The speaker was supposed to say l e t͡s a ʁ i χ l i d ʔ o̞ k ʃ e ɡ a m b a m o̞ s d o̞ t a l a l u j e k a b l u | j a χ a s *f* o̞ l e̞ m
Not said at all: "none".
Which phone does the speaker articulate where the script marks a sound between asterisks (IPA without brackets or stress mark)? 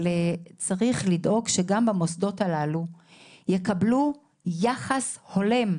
h